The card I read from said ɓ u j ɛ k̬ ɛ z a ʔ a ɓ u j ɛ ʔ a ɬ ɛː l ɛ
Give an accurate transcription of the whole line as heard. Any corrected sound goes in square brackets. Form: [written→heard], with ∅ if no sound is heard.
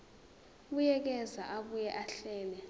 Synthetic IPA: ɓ u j ɛ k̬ ɛ z a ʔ a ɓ u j ɛ ʔ a ɬ ɛː l ɛ